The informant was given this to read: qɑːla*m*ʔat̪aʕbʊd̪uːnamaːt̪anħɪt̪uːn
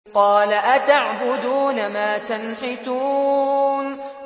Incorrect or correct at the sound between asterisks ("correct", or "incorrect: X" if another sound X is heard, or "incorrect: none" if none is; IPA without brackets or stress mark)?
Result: incorrect: none